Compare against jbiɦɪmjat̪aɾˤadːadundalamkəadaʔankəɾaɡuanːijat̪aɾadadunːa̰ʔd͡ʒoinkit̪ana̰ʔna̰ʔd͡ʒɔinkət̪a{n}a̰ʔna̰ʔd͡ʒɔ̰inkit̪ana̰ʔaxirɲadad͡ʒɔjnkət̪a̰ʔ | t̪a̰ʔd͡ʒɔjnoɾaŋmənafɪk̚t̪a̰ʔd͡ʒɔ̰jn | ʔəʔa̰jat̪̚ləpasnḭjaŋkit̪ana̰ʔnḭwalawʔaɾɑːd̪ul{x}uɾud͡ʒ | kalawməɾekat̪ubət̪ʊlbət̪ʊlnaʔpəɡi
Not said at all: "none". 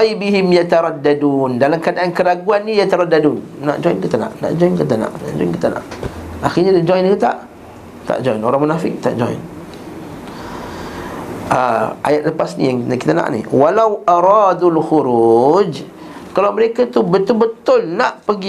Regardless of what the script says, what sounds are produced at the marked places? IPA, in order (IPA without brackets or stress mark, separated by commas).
n, x